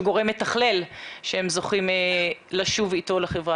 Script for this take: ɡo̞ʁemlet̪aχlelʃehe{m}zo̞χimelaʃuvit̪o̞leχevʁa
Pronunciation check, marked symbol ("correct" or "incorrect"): correct